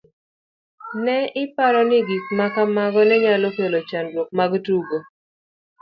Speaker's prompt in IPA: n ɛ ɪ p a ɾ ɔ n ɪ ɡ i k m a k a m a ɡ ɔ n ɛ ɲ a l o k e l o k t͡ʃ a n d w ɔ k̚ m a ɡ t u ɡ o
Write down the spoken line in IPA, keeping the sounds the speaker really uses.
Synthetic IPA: n ɛ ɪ p a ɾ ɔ n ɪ ɡ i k m a k a m a ɡ ɔ n ɛ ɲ a l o k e l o t͡ʃ a n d w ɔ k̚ m a ɡ t u ɡ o